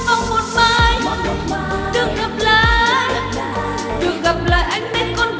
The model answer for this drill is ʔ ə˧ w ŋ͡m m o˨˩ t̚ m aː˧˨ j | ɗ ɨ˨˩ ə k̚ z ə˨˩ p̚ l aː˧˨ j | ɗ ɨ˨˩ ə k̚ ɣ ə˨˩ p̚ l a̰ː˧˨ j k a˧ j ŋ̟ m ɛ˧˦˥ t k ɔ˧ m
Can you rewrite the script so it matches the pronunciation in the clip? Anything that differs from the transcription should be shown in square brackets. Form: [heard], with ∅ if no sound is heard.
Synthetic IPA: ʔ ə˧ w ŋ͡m m o˨˩ t̚ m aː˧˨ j | ɗ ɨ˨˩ ə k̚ [ɣ] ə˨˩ p̚ l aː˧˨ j | ɗ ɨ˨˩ ə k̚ ɣ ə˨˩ p̚ l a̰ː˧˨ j [ʔ] a˧ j ŋ̟ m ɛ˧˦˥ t k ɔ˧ [n]